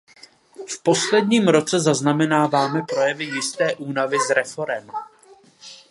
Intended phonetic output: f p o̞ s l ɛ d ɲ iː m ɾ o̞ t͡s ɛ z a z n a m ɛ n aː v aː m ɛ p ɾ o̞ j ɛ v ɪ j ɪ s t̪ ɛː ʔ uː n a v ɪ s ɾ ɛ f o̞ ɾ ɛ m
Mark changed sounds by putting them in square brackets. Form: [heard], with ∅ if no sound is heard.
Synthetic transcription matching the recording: f p o̞ s l ɛ d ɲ iː m ɾ o̞ t͡s ɛ z a z n a m ɛ n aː v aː m ɛ p ɾ o̞ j ɛ v ɪ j ɪ s t̪ ɛː ʔ uː n a v ɪ [z] ɾ ɛ f o̞ ɾ ɛ m